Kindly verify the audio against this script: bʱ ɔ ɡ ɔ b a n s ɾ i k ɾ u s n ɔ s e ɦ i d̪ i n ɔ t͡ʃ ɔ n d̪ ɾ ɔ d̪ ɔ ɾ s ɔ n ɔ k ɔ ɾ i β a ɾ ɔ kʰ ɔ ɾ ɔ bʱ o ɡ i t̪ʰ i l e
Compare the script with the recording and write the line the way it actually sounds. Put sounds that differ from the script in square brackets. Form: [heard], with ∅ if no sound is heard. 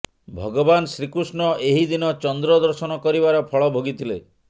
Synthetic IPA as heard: bʱ ɔ ɡ ɔ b a n s ɾ i k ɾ u s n ɔ [∅] e ɦ i d̪ i n ɔ t͡ʃ ɔ n d̪ ɾ ɔ d̪ ɔ ɾ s ɔ n ɔ k ɔ ɾ i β a ɾ ɔ [pʰ] ɔ [ɭ] ɔ bʱ o ɡ i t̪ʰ i l e

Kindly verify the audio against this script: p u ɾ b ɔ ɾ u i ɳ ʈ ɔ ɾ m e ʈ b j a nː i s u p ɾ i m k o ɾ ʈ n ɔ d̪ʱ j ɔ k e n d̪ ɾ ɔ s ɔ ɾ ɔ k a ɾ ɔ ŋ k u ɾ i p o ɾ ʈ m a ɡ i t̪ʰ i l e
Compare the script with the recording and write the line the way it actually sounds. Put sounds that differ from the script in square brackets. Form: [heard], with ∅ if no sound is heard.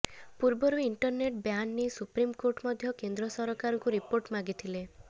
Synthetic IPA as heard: p u ɾ b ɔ ɾ u i ɳ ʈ ɔ ɾ [n] e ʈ b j a nː i s u p ɾ i m k o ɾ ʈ [m] ɔ d̪ʱ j ɔ k e n d̪ ɾ ɔ s ɔ ɾ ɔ k a ɾ ɔ ŋ k u ɾ i p o ɾ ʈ m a ɡ i t̪ʰ i l e

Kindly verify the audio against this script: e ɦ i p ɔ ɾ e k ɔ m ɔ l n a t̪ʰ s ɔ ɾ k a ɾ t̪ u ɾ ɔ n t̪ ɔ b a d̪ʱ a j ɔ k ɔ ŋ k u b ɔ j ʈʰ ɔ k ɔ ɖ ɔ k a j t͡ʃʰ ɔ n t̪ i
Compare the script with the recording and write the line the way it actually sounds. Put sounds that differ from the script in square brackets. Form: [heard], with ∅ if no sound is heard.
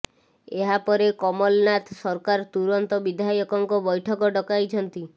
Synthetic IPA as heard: e ɦ [a] p ɔ ɾ e k ɔ m ɔ l n a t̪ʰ s ɔ ɾ k a ɾ t̪ u ɾ ɔ n t̪ ɔ b [i] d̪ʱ a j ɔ k ɔ ŋ k [ɔ] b ɔ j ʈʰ ɔ k ɔ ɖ ɔ k a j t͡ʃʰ ɔ n t̪ i

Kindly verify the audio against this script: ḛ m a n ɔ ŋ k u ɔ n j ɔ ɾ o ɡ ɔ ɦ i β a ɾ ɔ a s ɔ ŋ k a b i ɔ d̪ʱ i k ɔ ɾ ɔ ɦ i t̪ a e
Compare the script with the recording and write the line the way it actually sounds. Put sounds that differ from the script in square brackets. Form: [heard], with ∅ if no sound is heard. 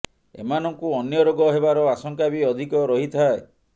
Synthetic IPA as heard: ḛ m a n ɔ ŋ k u ɔ n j ɔ ɾ o ɡ ɔ ɦ [e] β a ɾ ɔ a s ɔ ŋ k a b i ɔ d̪ʱ i k ɔ ɾ ɔ ɦ i [t̪ʰ] a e

